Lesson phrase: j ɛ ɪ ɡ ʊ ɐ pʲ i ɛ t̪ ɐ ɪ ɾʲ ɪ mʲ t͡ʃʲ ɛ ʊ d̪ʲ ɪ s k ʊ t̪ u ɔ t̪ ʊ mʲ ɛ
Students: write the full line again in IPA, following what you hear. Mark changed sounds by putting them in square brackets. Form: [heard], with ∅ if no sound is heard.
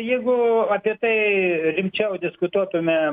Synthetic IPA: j ɛ ɪ ɡ ʊ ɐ pʲ i ɛ t̪ ɐ ɪ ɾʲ ɪ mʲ t͡ʃʲ ɛ ʊ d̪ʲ ɪ s k ʊ t̪ u ɔ t̪ ʊ mʲ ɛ